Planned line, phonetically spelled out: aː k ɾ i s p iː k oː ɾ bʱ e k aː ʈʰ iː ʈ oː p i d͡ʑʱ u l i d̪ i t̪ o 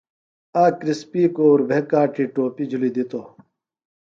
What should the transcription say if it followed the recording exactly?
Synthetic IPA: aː k ɾ i s p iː k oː ɾ bʱ e k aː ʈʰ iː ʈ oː p i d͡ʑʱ u l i d̪ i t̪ o